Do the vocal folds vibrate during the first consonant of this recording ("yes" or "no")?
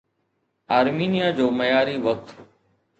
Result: yes